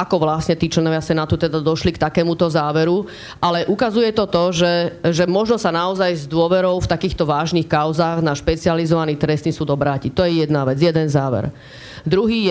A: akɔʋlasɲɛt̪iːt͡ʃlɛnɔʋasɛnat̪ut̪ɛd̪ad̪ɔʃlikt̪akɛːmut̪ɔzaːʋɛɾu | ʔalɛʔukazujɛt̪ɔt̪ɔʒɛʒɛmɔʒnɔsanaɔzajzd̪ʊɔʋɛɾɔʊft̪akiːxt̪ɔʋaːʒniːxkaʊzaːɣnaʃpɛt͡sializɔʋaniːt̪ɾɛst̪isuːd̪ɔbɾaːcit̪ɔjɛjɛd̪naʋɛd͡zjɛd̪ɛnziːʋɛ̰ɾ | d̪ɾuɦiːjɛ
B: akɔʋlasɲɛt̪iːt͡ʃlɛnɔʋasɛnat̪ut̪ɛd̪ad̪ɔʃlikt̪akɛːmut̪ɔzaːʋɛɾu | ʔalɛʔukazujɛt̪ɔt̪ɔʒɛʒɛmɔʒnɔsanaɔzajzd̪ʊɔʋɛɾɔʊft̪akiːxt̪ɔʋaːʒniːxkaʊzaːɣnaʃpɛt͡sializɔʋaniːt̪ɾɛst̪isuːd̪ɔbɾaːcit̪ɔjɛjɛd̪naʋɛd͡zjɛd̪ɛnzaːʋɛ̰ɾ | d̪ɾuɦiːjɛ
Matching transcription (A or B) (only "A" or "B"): B